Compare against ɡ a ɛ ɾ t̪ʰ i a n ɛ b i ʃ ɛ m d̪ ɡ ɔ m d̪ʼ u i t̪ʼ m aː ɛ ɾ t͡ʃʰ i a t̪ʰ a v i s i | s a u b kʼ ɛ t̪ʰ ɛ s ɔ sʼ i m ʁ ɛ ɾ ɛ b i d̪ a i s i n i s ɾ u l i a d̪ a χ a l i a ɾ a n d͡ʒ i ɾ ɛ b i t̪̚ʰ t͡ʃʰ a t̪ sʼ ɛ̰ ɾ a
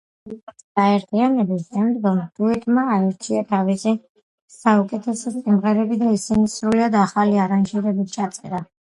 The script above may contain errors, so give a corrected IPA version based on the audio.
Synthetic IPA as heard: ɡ a ɛ ɾ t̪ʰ i a n ɛ b i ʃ ɛ m d̪ ɡ ɔ m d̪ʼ u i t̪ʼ m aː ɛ ɾ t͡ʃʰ i a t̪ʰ a v i s i | s a u kʼ ɛ t̪ʰ ɛ s ɔ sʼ i m ʁ ɛ ɾ ɛ b i d̪ a i s i n i s ɾ u l i a d̪ a χ a l i a ɾ a n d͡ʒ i ɾ ɛ b i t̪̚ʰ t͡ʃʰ a t̪ sʼ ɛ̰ ɾ a